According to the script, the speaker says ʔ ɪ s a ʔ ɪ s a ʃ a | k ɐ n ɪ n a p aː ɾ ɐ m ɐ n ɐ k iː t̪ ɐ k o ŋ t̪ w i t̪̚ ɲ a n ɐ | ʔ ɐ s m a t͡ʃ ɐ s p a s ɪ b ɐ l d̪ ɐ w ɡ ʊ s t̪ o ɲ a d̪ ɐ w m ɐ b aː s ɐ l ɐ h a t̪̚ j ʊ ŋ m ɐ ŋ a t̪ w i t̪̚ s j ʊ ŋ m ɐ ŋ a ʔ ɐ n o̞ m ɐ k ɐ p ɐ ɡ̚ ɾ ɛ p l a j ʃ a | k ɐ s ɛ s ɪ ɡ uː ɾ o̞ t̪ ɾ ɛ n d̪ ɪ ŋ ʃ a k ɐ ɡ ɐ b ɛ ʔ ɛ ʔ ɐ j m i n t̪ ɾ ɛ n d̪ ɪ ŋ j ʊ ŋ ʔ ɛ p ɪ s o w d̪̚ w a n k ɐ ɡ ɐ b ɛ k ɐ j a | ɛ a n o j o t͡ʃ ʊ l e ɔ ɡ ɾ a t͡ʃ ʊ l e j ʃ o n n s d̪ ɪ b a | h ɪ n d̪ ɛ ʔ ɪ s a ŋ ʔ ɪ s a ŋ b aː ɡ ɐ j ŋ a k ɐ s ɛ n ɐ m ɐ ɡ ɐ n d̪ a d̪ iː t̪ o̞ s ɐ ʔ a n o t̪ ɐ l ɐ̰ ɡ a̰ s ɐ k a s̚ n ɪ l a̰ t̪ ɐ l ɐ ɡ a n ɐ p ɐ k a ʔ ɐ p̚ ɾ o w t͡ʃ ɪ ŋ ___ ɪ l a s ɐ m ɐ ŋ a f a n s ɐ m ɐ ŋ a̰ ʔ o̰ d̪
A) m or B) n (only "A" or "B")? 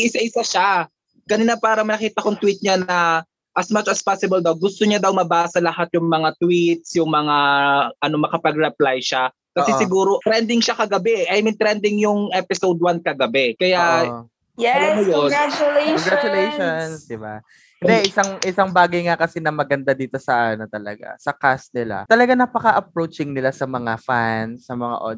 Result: B